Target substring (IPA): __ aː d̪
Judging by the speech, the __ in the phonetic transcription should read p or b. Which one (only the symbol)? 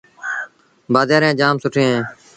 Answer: b